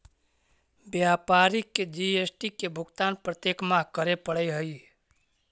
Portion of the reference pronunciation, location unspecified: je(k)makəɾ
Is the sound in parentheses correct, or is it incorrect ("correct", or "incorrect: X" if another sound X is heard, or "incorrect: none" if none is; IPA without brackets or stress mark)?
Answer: correct